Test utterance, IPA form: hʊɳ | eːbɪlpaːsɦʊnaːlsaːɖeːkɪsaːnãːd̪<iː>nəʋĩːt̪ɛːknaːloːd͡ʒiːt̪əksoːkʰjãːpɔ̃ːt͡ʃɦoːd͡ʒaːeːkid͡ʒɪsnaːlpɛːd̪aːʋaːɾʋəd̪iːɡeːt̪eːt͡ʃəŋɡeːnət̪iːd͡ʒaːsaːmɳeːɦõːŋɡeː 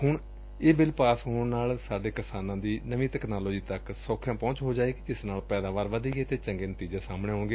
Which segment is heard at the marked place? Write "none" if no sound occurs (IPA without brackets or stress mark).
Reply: iː